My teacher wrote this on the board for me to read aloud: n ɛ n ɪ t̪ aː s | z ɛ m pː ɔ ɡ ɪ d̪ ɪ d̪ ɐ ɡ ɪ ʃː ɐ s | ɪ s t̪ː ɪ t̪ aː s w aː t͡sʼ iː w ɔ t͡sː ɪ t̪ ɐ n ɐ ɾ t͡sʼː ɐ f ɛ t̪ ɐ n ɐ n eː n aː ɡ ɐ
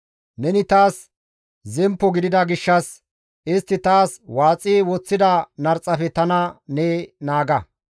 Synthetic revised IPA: n ɛ n ɪ t̪ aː s | z ɛ m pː ɔ ɡ ɪ d̪ ɪ d̪ ɐ ɡ ɪ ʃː ɐ s | ɪ s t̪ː ɪ t̪ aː s w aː t͡sʼ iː w ɔ t͡sː ɪ d̪ ɐ n ɐ ɾ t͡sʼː ɐ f ɛ t̪ ɐ n ɐ n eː n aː ɡ ɐ